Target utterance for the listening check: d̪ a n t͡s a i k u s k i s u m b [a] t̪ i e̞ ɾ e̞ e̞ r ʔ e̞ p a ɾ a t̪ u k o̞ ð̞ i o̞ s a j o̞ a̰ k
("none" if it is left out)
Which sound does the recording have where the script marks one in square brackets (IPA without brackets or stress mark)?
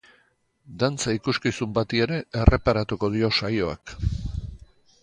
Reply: a